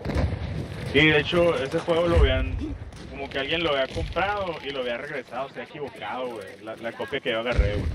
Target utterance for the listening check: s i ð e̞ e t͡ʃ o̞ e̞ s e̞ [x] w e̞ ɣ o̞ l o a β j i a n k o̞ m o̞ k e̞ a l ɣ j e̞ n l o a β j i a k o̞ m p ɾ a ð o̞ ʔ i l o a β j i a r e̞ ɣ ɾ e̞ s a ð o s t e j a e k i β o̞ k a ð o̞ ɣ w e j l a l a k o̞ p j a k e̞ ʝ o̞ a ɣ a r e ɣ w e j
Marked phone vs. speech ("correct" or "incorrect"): correct